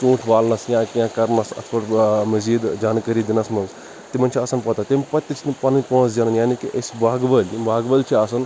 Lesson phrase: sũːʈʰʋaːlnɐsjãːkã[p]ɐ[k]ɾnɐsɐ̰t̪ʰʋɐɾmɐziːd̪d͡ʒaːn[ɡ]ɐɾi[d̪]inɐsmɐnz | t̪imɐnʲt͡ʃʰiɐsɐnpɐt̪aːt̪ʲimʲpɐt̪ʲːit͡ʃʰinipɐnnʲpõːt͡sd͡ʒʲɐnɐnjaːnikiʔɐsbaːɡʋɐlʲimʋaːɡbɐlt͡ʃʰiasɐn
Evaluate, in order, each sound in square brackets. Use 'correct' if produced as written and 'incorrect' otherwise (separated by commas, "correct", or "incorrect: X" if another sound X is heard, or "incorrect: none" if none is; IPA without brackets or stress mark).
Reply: incorrect: k, incorrect: none, incorrect: k, correct